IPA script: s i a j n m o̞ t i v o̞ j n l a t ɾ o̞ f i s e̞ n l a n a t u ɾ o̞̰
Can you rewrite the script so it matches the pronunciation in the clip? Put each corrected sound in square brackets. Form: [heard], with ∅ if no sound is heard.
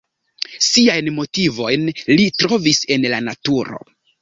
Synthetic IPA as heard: s i a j n m o̞ t i v o̞ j n l [i] t ɾ o̞ [v] i s e̞ n l a n a t u ɾ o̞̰